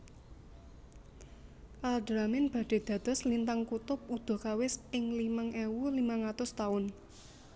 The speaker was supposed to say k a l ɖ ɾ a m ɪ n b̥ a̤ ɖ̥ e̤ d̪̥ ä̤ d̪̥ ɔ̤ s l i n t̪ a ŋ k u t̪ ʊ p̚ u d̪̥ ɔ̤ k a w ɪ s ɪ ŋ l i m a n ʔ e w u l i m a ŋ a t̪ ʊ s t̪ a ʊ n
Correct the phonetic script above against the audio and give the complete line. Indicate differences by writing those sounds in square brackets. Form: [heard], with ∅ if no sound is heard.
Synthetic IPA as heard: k a l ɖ ɾ a m ɪ n b̥ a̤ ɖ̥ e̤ d̪̥ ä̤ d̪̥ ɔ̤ s l i n t̪ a ŋ k u t̪ ʊ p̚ u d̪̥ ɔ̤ k a w ɪ s ɪ ŋ l i m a [ŋ] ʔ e w u l i m a ŋ a t̪ ʊ s t̪ a ʊ n